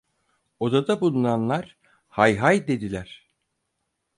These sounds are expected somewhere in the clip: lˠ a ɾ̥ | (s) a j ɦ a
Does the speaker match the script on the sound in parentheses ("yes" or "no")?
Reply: no